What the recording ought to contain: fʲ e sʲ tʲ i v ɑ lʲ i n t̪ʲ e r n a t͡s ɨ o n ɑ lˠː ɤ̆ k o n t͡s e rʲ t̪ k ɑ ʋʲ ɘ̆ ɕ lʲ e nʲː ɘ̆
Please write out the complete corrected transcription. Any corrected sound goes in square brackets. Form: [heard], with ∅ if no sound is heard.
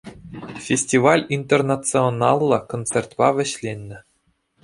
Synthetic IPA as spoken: fʲ e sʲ tʲ i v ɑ lʲ i n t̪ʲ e r n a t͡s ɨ o n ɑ lˠː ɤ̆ k o n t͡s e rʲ t̪ [p] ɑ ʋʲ ɘ̆ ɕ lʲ e nʲː ɘ̆